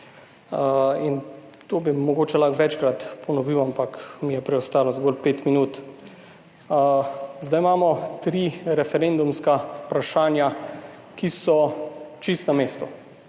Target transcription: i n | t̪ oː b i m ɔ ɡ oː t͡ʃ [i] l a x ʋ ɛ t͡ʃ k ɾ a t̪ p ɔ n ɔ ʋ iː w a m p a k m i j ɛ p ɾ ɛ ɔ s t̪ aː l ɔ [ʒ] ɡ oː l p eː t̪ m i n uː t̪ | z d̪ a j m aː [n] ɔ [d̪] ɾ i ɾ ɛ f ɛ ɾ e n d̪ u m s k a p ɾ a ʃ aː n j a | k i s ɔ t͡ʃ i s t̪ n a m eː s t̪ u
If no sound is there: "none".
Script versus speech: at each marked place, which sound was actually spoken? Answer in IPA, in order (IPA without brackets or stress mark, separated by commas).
ɛ, z, m, t̪